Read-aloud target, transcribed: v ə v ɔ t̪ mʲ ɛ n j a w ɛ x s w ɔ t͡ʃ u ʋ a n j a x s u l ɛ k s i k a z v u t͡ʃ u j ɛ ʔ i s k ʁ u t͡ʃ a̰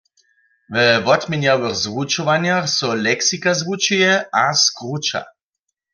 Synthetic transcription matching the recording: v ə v ɔ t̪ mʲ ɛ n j a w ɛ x z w u t͡ʃ ɔ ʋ a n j a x s ɔ l ɛ k s i k a z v u t͡ʃ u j ɛ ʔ a s k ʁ u t͡ʃ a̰